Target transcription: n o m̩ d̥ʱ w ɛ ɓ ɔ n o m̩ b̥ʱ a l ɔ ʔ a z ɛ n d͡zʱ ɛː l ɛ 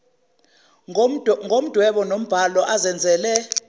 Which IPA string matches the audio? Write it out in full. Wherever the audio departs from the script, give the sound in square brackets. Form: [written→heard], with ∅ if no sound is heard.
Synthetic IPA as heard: [n→ŋ] o m̩ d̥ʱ w ɛ ɓ ɔ n o m̩ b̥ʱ a l ɔ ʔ a z ɛ n d͡zʱ ɛː l ɛ